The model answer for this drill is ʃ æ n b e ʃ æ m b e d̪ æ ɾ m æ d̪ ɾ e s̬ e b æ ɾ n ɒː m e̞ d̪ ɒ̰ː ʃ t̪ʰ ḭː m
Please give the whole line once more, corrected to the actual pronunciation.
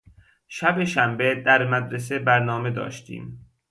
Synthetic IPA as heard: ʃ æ b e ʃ æ m b e d̪ æ ɾ m æ d̪ ɾ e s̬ e b æ ɾ n ɒː m e̞ d̪ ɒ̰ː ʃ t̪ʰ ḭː m